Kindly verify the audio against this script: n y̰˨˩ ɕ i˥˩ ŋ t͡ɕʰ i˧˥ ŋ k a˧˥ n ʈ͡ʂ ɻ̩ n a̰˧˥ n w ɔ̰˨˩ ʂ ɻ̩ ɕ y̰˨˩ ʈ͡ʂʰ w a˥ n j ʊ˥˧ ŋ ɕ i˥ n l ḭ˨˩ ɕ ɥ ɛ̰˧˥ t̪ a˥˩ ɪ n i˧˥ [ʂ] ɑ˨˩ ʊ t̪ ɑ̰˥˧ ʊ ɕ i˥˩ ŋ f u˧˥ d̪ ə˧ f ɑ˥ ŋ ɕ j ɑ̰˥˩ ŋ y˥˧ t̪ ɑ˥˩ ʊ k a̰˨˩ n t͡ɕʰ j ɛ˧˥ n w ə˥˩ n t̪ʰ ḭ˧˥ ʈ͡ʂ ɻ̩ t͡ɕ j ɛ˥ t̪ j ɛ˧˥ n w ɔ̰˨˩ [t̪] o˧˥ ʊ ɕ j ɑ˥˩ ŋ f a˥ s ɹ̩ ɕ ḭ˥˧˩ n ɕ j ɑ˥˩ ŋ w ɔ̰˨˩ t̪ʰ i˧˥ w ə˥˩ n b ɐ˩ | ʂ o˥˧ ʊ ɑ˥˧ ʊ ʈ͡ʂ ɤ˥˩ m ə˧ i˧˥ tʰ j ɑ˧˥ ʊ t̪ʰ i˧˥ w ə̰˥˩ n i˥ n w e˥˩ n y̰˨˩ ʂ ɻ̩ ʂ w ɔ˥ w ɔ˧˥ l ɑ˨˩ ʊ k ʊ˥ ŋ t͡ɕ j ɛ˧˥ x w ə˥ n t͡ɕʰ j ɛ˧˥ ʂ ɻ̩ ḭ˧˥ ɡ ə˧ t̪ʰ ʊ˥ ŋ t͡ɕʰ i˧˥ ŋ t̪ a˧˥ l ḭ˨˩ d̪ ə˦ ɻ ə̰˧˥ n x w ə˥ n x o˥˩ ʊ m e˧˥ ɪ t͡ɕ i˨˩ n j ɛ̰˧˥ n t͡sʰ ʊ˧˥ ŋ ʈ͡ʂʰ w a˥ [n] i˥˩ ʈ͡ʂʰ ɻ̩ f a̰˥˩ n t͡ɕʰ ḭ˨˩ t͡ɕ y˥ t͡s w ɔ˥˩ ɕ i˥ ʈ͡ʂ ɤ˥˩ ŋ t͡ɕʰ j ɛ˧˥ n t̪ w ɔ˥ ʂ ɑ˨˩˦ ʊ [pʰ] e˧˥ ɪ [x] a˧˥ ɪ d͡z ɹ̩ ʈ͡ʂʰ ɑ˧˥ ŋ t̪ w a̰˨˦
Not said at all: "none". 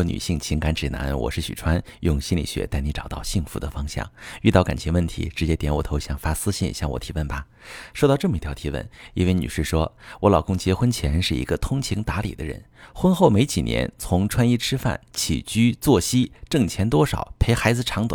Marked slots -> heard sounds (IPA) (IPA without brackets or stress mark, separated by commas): ʈ͡ʂ, t̪ʰ, n, pʰ, x